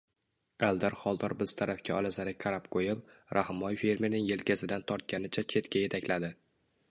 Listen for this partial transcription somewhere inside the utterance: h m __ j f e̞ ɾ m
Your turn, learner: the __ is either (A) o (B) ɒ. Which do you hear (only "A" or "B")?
B